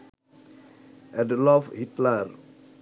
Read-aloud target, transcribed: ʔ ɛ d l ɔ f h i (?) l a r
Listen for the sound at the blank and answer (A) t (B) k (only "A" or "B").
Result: A